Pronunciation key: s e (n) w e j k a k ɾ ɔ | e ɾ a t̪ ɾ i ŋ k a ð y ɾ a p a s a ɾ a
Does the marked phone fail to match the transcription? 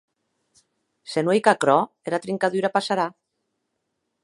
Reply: no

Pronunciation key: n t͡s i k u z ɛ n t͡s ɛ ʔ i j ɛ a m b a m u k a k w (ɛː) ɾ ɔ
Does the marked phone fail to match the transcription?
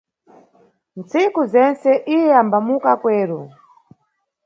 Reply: no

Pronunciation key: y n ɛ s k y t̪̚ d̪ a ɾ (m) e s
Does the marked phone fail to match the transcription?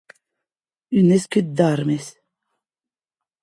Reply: no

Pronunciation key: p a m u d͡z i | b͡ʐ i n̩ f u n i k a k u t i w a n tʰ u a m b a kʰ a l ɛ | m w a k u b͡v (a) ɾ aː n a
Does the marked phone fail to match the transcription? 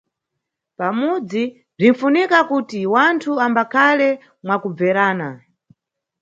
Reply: yes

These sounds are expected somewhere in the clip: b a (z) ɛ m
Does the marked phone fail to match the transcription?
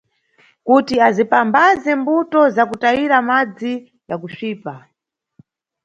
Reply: no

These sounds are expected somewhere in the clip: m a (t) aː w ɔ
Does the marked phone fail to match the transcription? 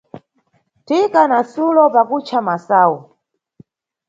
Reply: yes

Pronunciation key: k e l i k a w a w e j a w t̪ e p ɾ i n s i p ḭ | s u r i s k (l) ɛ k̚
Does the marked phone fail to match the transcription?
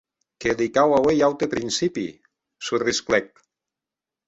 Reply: no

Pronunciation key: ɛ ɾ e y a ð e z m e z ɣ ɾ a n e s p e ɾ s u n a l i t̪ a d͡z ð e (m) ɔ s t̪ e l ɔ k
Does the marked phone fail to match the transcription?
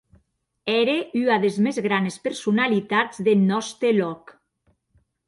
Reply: yes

